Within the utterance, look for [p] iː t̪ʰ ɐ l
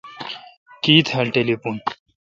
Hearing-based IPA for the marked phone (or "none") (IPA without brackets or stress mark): k